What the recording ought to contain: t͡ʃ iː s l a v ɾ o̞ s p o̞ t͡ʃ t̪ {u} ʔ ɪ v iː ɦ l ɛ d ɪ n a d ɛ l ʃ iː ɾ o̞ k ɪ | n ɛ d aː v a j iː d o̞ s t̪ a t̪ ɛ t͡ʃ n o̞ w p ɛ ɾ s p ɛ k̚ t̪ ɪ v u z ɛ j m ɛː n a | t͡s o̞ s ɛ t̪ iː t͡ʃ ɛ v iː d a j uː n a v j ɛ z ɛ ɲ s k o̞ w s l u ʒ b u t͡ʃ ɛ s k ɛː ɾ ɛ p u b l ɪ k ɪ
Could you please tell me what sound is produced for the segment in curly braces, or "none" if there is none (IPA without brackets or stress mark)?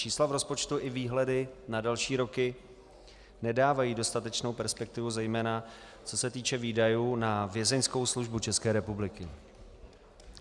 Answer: u